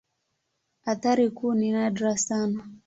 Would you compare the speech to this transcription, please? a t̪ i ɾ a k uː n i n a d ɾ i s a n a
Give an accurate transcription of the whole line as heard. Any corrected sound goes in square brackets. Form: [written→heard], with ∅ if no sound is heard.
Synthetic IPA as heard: a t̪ [i→a] ɾ [a→i] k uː n i n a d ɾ [i→a] s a n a